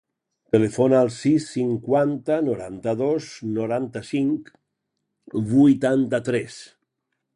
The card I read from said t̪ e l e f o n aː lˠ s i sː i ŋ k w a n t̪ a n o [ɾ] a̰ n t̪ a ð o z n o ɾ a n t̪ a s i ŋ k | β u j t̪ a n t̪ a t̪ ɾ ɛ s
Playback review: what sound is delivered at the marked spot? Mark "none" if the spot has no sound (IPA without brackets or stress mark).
ɾ